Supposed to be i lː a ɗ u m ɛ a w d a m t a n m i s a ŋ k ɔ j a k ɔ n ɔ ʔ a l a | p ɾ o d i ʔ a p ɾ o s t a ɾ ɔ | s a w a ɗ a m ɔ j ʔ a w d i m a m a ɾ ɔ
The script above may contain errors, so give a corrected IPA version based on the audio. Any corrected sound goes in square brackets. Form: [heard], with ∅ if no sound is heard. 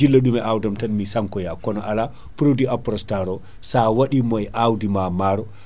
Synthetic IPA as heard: i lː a ɗ u m ɛ a w d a m t a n m i s a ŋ k ɔ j a k ɔ n ɔ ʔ a l a | p ɾ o d i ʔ a p ɾ [ɔ] s t a ɾ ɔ | s a w a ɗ [i] m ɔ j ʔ a w d i m a m a ɾ ɔ